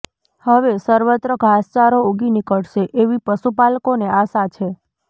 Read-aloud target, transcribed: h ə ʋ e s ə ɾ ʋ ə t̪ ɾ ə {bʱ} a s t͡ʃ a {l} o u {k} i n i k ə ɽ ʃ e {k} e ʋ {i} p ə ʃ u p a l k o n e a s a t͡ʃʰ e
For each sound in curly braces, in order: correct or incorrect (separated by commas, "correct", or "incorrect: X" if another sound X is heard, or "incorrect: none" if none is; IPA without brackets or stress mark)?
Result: incorrect: ɡʱ, incorrect: ɾ, incorrect: ɡ, incorrect: ʔ, correct